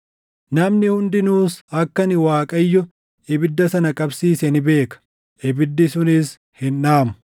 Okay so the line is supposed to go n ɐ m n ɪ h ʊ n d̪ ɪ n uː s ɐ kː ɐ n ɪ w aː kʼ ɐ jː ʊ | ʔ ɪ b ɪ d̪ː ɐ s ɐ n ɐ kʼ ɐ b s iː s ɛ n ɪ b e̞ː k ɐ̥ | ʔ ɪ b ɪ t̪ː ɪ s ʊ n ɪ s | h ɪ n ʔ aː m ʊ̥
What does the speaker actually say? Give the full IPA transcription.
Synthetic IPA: n ɐ m n ɪ h ʊ n d̪ ɪ n uː s ɐ kː ɐ n ɪ w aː kʼ ɐ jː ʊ | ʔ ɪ b ɪ d̪ː ɐ s ɐ n ɐ kʼ ɐ b s iː s ɛ n ɪ b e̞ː k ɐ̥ | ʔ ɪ b ɪ d̪ː ɪ s ʊ n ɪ s | h ɪ n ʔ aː m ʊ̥

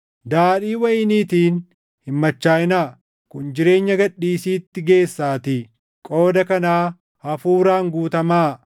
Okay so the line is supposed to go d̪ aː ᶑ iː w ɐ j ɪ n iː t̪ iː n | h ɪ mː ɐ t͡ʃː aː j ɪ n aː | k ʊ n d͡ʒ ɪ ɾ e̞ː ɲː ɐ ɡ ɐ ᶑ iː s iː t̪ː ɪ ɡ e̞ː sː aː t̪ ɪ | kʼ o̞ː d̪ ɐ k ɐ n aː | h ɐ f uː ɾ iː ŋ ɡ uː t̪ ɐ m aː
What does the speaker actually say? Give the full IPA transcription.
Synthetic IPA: d̪ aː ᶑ iː w ɐ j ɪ n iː t̪ iː n | h ɪ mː ɐ t͡ʃː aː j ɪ n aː | k ʊ n d͡ʒ ɪ ɾ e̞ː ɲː ɐ ɡ ɐ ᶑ iː s iː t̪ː ɪ ɡ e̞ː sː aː t̪ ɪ | kʼ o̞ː d̪ ɐ k ɐ n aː | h ɐ f uː ɾ aː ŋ ɡ uː t̪ ɐ m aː

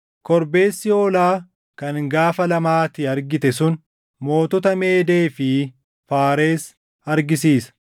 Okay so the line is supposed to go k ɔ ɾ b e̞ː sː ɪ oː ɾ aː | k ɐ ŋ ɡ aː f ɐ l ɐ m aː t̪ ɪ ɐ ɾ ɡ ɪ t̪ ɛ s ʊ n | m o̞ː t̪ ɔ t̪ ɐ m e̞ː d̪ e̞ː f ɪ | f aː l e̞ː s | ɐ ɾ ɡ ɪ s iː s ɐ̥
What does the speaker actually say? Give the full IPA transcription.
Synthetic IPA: k ɔ ɾ b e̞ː sː ɪ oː l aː | k ɐ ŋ ɡ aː f ɐ l ɐ m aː t̪ ɪ ɐ ɾ ɡ ɪ t̪ ɛ s ʊ n | m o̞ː t̪ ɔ t̪ ɐ m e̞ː d̪ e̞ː f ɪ | f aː ɾ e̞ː s | ɐ ɾ ɡ ɪ s iː s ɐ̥

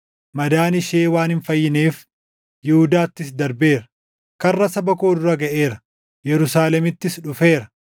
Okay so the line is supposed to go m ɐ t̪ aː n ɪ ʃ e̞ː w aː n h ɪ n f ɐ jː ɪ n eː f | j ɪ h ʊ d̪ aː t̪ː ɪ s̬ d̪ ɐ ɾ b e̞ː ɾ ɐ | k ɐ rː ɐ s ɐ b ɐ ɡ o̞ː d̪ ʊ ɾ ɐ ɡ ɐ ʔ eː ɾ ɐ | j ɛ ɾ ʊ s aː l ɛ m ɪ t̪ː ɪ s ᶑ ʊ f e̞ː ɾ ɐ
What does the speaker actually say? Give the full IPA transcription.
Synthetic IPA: m ɐ d̪ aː n ɪ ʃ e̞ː w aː n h ɪ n f ɐ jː ɪ n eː f | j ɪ h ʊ d̪ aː t̪ː ɪ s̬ d̪ ɐ ɾ b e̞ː ɾ ɐ | k ɐ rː ɐ s ɐ b ɐ k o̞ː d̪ ʊ ɾ ɐ ɡ ɐ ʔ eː ɾ ɐ | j ɛ ɾ ʊ s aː l ɛ m ɪ t̪ː ɪ s ᶑ ʊ f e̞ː ɾ ɐ

